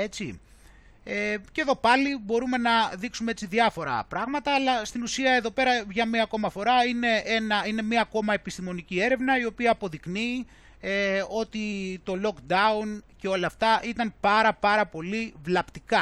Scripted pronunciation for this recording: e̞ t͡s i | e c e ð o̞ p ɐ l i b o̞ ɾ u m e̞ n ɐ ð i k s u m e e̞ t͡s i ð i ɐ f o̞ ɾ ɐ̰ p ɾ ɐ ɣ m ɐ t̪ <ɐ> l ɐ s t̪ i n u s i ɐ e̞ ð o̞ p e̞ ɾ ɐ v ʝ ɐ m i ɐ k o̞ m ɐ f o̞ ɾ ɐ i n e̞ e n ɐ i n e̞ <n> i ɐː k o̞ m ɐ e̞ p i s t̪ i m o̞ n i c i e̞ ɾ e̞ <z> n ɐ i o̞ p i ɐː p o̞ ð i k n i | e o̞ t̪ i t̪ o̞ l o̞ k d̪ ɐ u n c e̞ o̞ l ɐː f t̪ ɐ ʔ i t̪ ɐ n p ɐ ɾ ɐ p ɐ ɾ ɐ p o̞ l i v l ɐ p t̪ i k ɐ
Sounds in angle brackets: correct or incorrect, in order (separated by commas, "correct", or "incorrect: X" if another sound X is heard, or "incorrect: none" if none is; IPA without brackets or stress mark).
incorrect: ɐː, incorrect: m, incorrect: v